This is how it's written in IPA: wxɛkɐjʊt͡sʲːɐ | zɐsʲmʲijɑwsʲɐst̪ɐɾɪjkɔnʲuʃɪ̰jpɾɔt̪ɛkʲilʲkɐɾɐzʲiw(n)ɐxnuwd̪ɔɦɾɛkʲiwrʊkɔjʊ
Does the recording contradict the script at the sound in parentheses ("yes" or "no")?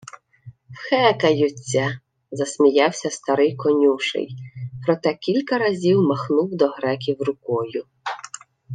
yes